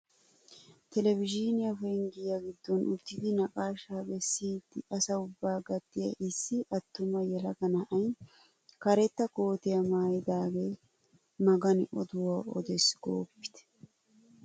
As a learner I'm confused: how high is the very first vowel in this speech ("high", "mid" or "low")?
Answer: mid